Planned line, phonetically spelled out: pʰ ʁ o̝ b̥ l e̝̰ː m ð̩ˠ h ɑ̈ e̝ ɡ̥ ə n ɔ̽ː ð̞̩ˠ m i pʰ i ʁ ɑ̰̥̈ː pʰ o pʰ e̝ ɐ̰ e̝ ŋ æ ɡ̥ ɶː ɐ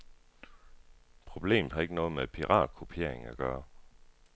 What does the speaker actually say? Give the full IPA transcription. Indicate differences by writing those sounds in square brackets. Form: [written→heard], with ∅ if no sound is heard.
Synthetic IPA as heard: pʰ ʁ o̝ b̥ l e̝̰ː m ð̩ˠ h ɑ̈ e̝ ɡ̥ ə n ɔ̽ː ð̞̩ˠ m [i→e] pʰ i ʁ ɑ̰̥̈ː [pʰ→kʰ] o pʰ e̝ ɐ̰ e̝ ŋ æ ɡ̥ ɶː ɐ

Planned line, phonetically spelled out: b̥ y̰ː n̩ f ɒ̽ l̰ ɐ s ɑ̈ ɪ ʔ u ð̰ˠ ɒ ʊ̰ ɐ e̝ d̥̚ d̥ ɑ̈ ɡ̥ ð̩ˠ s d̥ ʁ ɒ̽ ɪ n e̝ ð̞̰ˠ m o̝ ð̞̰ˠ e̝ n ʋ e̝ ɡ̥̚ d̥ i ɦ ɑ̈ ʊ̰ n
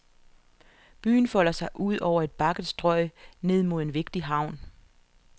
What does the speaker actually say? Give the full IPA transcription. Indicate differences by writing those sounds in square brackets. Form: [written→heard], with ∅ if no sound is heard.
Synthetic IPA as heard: b̥ y̰ː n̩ f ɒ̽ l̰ ɐ s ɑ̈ ɪ ʔ u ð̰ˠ ɒ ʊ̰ ɐ e̝ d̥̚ [d̥→b̥] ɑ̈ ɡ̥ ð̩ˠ s d̥ ʁ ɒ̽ ɪ n e̝ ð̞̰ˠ m o̝ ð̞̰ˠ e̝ n ʋ e̝ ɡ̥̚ d̥ i ɦ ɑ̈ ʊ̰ n

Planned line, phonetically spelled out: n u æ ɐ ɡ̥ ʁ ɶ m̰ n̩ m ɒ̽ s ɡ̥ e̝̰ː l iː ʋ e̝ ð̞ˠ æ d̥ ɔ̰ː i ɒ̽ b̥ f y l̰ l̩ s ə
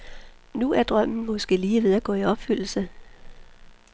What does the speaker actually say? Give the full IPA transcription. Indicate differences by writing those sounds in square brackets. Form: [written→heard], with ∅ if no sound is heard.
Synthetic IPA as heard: n u æ ɐ [ɡ̥→d̥] ʁ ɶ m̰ n̩ m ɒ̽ s ɡ̥ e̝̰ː l iː ʋ e̝ ð̞ˠ æ [d̥→ɡ̥] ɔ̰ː i ɒ̽ b̥ f y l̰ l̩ s ə

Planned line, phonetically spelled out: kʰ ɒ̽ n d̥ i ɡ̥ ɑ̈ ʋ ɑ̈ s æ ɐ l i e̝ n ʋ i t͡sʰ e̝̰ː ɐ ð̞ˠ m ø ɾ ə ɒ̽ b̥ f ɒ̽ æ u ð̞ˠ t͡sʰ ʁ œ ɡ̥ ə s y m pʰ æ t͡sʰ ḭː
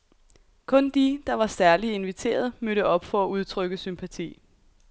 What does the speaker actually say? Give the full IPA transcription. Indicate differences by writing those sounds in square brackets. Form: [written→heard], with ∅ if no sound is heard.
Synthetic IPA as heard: kʰ [ɒ̽→ɔ̽] n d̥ i [ɡ̥→d̥] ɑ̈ ʋ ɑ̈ s æ ɐ l i e̝ n ʋ i t͡sʰ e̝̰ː ɐ ð̞ˠ m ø ɾ ə ɒ̽ b̥ f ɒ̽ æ u ð̞ˠ t͡sʰ ʁ œ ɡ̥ ə s y m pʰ æ t͡sʰ ḭː

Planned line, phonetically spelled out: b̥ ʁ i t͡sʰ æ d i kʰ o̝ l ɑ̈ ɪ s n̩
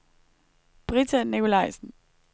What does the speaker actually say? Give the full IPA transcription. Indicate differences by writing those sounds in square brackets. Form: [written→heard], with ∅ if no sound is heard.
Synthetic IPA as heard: b̥ ʁ i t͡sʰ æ [d→n] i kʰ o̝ l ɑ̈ ɪ s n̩

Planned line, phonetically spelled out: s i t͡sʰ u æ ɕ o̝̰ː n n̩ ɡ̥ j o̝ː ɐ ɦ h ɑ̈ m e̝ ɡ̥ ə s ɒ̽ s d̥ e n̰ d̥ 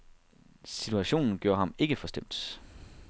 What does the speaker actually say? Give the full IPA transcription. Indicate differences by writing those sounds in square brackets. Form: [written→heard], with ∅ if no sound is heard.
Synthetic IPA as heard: s i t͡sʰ u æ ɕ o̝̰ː n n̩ ɡ̥ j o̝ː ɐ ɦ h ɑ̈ m e̝ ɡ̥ ə [s→f] ɒ̽ s d̥ e [n̰→m̰] d̥

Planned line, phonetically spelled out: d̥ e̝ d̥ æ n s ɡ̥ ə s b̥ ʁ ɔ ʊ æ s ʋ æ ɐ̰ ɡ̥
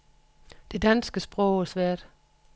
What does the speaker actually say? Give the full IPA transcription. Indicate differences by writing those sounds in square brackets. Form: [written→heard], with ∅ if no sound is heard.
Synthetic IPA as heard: d̥ e̝ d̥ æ n s ɡ̥ ə s b̥ ʁ ɔ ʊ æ s ʋ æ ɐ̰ [ɡ̥→d̥]

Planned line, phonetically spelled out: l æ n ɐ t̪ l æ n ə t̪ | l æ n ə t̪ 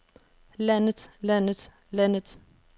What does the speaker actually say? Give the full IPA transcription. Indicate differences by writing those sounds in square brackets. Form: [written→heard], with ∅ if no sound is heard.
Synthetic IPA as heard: l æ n [ɐ→ə] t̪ l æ n ə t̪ | l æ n ə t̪

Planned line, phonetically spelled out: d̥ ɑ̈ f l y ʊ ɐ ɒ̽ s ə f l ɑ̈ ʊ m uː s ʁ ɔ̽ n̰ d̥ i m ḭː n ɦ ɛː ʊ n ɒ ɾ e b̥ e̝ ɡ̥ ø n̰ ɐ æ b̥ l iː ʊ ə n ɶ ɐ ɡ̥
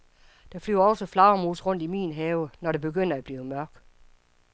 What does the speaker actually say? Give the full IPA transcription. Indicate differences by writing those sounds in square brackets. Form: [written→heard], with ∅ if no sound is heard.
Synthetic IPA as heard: d̥ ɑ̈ f l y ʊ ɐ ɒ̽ s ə f l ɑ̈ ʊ m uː s ʁ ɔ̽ n̰ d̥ i m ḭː n ɦ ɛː ʊ n ɒ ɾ e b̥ e̝ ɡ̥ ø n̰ ɐ æ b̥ l iː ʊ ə [n→m] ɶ ɐ ɡ̥

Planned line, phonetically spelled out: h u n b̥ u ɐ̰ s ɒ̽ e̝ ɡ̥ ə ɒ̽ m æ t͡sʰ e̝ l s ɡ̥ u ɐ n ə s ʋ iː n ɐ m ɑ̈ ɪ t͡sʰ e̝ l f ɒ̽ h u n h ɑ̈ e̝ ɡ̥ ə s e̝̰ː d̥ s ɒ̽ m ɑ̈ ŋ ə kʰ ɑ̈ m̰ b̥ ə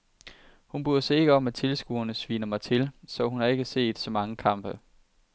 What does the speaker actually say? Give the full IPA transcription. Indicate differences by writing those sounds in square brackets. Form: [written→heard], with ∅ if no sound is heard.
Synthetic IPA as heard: h u n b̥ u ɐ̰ s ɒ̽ e̝ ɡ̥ ə ɒ̽ m æ t͡sʰ e̝ l s ɡ̥ u ɐ n ə s ʋ iː n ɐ m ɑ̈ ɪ t͡sʰ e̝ l [f→s] ɒ̽ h u n h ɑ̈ e̝ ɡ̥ ə s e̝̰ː d̥ s ɒ̽ m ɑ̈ ŋ ə kʰ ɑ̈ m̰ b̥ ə

